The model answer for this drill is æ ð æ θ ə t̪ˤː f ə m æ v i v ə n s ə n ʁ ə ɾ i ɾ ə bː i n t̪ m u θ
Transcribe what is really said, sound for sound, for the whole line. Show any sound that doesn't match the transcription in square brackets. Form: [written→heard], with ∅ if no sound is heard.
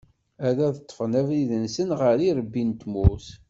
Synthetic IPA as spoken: æ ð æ [θ→ð] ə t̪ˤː f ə [m→n] æ v i [v→ð] ə n s ə n ʁ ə ɾ i ɾ ə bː i n t̪ m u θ